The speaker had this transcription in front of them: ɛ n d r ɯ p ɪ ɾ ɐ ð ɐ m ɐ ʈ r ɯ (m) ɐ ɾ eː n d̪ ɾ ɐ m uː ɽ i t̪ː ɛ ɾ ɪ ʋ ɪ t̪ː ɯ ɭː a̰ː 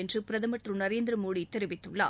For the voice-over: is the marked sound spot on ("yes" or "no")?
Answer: no